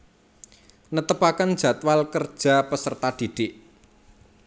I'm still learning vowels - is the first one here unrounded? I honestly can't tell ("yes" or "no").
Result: yes